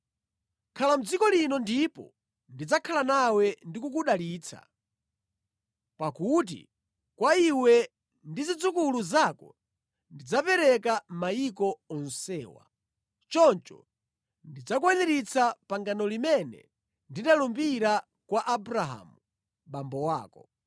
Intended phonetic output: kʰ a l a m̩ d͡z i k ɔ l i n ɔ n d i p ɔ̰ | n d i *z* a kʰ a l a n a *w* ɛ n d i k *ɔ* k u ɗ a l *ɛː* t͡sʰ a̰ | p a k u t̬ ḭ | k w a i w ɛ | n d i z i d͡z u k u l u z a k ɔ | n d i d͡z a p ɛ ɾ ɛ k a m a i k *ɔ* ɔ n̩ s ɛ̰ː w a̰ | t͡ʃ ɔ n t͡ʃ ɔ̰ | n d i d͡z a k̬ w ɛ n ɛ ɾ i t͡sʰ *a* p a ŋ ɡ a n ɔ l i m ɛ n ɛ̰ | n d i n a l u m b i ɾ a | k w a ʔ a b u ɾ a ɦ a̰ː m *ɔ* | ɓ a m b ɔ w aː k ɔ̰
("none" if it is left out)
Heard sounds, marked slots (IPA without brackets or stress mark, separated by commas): d͡z, w, u, iː, ɔ, a, u